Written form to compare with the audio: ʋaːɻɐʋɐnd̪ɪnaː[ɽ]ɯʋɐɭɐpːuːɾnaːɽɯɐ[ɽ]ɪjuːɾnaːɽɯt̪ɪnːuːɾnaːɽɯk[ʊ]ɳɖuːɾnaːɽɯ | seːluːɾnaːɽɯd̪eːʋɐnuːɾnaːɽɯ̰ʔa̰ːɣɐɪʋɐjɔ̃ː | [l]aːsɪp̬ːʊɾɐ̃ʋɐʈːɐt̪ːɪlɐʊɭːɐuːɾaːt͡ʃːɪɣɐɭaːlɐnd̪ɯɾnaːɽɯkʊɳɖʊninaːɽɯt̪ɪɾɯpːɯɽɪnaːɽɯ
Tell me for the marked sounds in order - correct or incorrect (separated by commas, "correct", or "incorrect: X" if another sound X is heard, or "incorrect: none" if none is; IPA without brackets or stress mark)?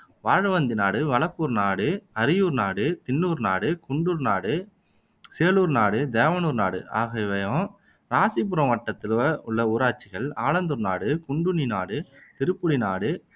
correct, incorrect: ɾ, correct, incorrect: ɾ